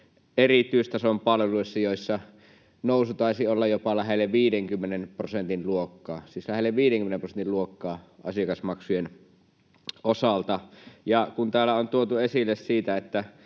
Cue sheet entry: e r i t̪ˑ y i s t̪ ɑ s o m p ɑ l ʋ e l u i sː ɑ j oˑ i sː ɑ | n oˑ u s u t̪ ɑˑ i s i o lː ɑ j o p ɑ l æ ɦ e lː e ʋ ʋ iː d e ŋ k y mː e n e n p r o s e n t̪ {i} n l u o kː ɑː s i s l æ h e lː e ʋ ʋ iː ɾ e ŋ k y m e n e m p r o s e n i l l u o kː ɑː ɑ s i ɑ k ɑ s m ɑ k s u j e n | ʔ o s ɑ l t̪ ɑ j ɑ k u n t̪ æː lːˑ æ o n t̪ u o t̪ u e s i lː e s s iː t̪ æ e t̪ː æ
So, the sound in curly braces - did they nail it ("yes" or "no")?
yes